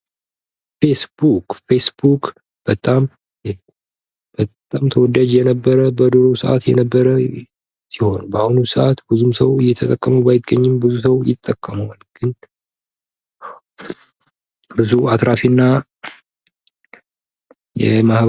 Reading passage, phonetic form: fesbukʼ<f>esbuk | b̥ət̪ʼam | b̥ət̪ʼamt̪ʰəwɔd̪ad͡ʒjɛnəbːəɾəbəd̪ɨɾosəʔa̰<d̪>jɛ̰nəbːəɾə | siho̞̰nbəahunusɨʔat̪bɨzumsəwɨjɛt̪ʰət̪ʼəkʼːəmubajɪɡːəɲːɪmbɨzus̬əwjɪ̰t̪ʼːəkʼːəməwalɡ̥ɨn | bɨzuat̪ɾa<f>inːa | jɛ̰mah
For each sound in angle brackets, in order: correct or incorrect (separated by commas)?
correct, incorrect, correct